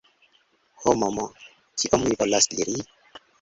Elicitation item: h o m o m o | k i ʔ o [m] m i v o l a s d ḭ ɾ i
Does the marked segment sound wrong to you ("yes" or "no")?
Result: no